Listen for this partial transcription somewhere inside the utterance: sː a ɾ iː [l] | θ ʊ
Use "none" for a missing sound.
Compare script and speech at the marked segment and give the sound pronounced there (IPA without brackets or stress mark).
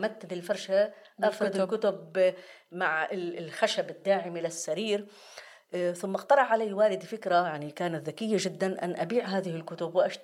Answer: ɾ